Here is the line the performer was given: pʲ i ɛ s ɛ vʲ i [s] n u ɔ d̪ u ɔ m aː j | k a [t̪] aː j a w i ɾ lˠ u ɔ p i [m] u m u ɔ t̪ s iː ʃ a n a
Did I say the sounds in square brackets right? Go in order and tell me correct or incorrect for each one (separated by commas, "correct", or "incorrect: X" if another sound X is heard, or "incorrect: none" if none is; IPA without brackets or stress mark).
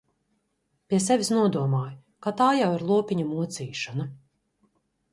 correct, correct, incorrect: ɲ